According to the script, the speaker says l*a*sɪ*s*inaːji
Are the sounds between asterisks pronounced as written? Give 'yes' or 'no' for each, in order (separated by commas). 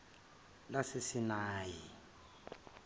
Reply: yes, yes